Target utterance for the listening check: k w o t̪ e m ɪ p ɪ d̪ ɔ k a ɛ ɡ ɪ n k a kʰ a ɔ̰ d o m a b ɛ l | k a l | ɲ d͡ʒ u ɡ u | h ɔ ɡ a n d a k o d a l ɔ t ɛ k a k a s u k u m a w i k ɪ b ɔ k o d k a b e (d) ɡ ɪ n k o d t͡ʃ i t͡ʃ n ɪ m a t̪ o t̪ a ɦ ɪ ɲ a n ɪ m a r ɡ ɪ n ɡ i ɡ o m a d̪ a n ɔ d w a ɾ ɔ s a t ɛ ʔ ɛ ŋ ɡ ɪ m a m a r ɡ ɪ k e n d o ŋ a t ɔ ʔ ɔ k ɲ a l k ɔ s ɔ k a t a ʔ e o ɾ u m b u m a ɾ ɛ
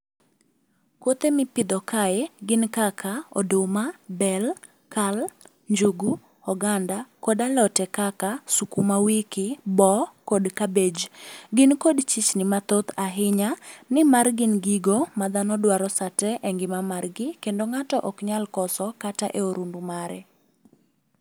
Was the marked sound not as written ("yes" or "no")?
yes